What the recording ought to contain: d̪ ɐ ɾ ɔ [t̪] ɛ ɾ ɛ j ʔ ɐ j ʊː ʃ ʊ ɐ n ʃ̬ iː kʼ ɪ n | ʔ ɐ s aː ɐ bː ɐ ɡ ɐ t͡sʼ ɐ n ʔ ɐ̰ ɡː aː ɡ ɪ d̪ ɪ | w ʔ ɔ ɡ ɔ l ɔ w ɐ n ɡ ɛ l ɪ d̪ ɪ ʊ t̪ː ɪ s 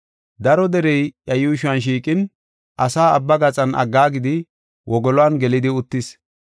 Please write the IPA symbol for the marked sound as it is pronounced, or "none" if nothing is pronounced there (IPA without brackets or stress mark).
d̪